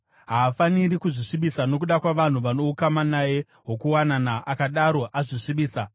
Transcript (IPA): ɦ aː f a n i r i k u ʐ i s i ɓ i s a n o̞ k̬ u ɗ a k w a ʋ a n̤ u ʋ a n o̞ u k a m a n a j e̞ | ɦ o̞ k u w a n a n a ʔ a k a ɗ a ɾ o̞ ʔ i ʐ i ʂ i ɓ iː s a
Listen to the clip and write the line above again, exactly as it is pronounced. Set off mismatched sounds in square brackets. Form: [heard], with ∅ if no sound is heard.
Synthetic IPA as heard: ɦ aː f a n i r i k u ʐ i [ʂ] i ɓ i s a n o̞ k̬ u ɗ a k w a ʋ a n̤ u ʋ a n o̞ u k a m a n a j e̞ | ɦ o̞ k u w a n a n a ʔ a k a ɗ a ɾ o̞ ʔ [a] ʐ i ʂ i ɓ iː s a